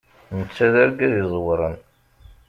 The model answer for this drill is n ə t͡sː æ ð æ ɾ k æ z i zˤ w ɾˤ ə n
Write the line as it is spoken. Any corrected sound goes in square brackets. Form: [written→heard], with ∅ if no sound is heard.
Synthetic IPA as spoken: n ə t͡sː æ ð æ ɾ [k→ɡ] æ [z→ð] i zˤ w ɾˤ ə n